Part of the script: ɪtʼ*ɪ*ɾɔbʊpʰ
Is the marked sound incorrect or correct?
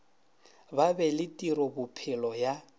incorrect